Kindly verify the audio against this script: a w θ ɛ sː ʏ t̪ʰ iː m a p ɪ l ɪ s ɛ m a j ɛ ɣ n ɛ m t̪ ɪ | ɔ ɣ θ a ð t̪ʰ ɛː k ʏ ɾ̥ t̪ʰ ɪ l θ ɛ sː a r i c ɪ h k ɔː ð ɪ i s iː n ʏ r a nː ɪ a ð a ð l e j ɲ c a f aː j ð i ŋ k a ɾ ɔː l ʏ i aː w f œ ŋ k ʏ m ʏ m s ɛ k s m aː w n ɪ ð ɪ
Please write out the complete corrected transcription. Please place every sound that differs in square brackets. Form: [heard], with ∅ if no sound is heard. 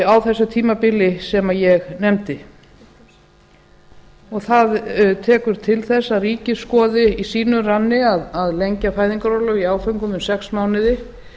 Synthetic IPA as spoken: a w θ ɛ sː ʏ t̪ʰ iː m a p ɪ l ɪ s ɛ m a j ɛ ɣ n ɛ m t̪ ɪ | ɔ ɣ θ a ð t̪ʰ ɛː k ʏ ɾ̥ t̪ʰ ɪ l θ ɛ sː a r [iː] c ɪ [s] k ɔː ð ɪ i s iː n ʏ r a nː ɪ a ð a ð l e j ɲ c a f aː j ð i ŋ k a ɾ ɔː l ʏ i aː w f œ ŋ k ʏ m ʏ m s ɛ k s m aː w n ɪ ð ɪ

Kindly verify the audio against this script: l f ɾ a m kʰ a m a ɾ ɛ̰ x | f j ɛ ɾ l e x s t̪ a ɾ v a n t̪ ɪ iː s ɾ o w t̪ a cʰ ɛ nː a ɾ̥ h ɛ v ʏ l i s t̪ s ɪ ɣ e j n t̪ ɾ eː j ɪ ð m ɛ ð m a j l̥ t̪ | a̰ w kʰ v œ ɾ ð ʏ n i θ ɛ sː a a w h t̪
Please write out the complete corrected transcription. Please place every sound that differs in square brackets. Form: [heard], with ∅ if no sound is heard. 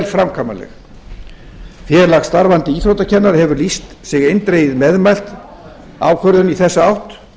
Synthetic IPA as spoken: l f ɾ a m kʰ a m a [l] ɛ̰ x | f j ɛ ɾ l [a] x s t̪ a ɾ v a n t̪ ɪ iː [θ] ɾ o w t̪ a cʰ ɛ nː a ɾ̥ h ɛ v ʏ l i s t̪ s ɪ ɣ e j n t̪ ɾ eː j ɪ ð m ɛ ð m a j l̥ t̪ | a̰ w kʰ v œ ɾ ð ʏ n i θ ɛ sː a a w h t̪

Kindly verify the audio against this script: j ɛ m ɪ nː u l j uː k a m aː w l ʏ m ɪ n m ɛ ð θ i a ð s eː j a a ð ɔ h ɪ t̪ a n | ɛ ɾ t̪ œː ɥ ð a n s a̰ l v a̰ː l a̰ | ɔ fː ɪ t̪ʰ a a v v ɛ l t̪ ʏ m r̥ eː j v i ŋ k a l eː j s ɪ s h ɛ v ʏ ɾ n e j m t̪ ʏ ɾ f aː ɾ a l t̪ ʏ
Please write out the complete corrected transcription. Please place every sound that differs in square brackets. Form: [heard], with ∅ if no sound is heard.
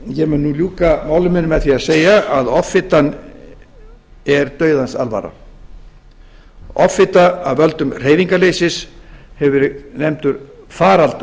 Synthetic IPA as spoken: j ɛ m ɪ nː u l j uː k a m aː w l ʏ m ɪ n m ɛ ð θ i a ð s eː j a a ð ɔ [f] ɪ t̪ a n | ɛ ɾ t̪ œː ɥ ð a n s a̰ l v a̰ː [ɾ] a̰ | ɔ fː ɪ [t̪] a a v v [œ] l t̪ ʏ m r̥ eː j v i ŋ k a l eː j s ɪ s h ɛ v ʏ ɾ n e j m t̪ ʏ ɾ f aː ɾ a l t̪ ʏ

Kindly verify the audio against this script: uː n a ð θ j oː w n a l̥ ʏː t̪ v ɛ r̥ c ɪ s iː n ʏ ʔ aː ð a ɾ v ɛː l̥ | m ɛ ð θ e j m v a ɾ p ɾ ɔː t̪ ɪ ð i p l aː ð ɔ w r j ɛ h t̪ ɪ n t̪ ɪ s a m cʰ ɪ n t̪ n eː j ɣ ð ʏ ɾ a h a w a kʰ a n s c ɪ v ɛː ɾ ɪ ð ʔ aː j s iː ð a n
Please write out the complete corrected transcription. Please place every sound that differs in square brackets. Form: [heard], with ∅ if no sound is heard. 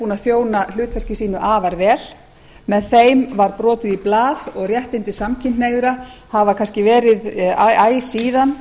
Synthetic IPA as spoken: uː n a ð θ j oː w n a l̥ ʏː t̪ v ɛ r̥ c ɪ s iː n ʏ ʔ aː [v] a ɾ v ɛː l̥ | m ɛ ð θ e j m v a ɾ p ɾ ɔː t̪ ɪ ð i p l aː ð ɔ [ɣ] r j ɛ h t̪ ɪ n t̪ ɪ s a m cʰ ɪ n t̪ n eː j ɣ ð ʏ ɾ a h a [v] a kʰ a n s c ɪ v ɛː ɾ ɪ ð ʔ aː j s iː ð a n

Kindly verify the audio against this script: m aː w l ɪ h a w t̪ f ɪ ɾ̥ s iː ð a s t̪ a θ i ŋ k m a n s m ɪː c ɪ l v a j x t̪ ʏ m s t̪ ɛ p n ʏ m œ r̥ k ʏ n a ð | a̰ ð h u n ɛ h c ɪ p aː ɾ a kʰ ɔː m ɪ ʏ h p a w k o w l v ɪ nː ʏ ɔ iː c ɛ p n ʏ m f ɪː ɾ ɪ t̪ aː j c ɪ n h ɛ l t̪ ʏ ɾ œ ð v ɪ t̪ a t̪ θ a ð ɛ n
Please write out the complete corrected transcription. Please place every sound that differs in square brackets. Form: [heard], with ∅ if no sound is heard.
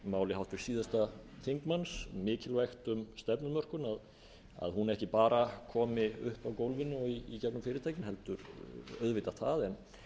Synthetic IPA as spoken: m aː w l ɪ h a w t̪ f ɪ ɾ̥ s iː ð a s t̪ a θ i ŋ k m a n s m ɪː c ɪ l v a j x t̪ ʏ m s t̪ ɛ p n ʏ m œ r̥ k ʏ n a ð | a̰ ð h u n ɛ h c ɪ p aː ɾ a kʰ ɔː m ɪ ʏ h p a w k o w l v ɪ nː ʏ ɔ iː c ɛ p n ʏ m f ɪː ɾ ɪ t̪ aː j c ɪ n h ɛ l t̪ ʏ ɾ œ ð v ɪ t̪ a t̪ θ a ð ɛ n

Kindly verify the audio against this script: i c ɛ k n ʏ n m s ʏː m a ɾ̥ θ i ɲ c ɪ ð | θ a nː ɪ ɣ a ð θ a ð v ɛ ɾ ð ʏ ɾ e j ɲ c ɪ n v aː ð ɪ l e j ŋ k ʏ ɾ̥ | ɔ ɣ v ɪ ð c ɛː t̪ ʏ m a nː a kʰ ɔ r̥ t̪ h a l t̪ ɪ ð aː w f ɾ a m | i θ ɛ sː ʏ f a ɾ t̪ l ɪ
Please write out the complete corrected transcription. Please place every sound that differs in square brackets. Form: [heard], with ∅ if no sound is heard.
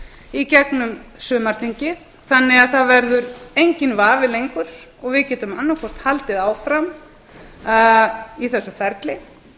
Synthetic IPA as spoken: i c ɛ k n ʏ [∅] m s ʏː m a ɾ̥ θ i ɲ c ɪ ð | θ a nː ɪ ɣ a ð θ a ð v ɛ ɾ ð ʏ ɾ e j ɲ c ɪ n v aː [v] ɪ l e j ŋ k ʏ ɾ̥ | ɔ ɣ v ɪ ð c ɛː t̪ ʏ m a nː a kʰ ɔ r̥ t̪ h a l t̪ ɪ ð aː w f ɾ a m | i θ ɛ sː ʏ f [ɛ] ɾ t̪ l ɪ

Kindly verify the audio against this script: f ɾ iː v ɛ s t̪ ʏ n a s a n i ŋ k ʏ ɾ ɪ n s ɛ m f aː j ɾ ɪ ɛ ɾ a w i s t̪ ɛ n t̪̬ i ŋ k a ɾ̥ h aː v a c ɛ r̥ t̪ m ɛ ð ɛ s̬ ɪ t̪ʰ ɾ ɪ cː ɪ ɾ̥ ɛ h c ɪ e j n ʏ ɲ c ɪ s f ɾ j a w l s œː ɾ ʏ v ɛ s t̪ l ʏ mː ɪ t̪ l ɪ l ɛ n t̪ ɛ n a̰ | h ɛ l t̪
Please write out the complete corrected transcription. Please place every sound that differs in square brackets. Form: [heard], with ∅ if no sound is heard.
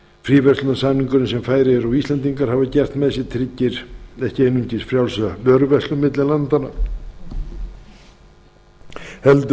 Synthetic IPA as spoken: f ɾ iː v ɛ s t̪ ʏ n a s a n i ŋ k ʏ ɾ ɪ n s ɛ m f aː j ɾ ɪ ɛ ɾ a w i s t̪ ɛ n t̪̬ i ŋ k a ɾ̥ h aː v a c ɛ r̥ t̪ m ɛ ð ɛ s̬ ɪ t̪ʰ ɾ ɪ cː ɪ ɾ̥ ɛ h c ɪ e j n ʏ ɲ c ɪ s f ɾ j a w l s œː ɾ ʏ v ɛ s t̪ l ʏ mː ɪ t̪ l ɪ l [a] n t̪ [a] n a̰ | h ɛ l t̪

